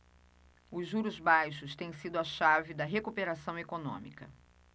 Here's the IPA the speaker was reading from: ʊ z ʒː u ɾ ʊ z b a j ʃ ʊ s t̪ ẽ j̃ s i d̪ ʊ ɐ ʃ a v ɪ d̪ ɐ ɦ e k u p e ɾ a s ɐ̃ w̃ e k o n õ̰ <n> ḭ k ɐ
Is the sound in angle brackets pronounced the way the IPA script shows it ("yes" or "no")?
no